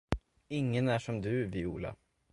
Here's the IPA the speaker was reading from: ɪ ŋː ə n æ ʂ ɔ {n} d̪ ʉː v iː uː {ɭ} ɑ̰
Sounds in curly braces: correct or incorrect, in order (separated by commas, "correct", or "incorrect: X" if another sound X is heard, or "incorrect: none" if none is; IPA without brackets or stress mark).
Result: incorrect: m, incorrect: l